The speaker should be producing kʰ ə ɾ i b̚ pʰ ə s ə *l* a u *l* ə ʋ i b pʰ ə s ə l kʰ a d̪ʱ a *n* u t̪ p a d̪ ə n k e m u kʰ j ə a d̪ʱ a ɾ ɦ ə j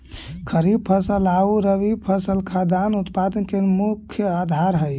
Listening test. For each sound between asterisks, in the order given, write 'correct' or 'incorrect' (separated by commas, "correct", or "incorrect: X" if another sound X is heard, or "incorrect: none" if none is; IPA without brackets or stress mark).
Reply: correct, incorrect: ɾ, correct